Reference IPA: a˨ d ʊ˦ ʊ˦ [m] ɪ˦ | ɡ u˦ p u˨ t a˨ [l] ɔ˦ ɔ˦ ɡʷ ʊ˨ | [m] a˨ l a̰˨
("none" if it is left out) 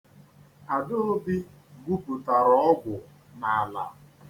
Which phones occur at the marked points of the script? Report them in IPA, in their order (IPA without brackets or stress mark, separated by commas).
b, ɾ, n